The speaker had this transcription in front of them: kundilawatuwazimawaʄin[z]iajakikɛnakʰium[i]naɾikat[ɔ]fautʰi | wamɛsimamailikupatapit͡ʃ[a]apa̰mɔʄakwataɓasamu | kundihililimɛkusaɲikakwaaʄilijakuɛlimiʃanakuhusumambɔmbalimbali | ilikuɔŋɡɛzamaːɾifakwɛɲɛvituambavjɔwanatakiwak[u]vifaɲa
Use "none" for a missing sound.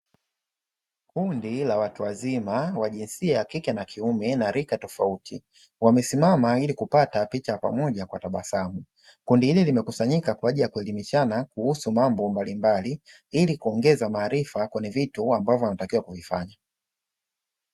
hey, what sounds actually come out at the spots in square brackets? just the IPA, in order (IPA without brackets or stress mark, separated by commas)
s, ɛ, ɔ, a, u